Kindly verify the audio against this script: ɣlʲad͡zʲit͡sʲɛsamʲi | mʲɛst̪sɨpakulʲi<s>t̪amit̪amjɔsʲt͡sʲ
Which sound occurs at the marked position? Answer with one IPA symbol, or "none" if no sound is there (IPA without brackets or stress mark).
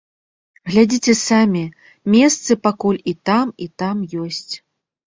none